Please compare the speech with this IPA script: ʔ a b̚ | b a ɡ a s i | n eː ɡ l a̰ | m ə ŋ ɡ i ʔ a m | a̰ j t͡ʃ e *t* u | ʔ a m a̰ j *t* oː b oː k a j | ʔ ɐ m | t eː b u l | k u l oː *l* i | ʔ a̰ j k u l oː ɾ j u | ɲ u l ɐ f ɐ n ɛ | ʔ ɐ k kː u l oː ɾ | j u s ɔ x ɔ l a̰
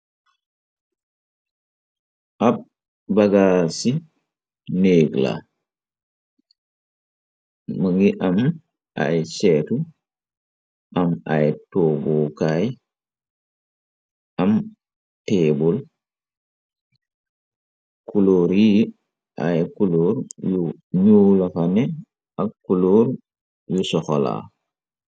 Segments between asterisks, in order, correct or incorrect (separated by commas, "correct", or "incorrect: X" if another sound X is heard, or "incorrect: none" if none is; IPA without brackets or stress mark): correct, correct, incorrect: ɾ